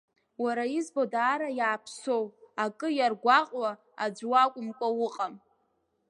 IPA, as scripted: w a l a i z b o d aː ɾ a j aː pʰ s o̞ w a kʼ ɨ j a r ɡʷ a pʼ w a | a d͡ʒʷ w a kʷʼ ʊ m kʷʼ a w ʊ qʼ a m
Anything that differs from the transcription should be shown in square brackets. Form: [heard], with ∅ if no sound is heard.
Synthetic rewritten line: w a [ɾ] a i z b o d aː ɾ a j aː pʰ s o̞ w a kʼ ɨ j a r ɡʷ a [qʼ] w a | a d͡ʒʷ w a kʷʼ ʊ m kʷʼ a w ʊ qʼ a m